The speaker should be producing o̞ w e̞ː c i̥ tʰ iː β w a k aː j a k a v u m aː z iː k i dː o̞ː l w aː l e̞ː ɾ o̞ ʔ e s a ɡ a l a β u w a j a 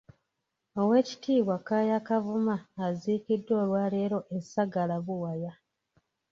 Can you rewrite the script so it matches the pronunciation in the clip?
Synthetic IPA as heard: o̞ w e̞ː c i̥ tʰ iː β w a k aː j a k a v u m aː z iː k i dː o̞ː l w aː l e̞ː ɾ o̞ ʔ e s a ɡ a l a β u w a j a